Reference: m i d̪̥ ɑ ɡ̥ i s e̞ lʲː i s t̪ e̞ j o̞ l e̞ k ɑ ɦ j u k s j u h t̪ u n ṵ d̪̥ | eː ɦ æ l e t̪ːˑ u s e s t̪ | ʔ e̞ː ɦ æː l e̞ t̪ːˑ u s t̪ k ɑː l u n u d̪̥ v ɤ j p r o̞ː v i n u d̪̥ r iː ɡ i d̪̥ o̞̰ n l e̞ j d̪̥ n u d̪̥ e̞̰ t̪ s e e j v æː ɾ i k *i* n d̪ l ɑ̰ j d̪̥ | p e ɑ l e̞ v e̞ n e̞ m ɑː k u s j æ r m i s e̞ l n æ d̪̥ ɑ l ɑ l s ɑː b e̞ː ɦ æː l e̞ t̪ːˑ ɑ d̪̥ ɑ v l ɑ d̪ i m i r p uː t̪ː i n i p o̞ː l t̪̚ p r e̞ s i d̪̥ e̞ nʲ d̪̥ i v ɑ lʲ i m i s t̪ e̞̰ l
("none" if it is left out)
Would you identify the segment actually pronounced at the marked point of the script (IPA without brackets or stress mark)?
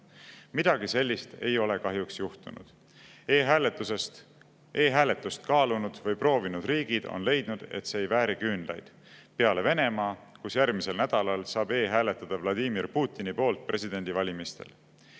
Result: y